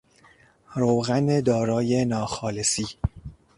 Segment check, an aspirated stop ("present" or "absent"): absent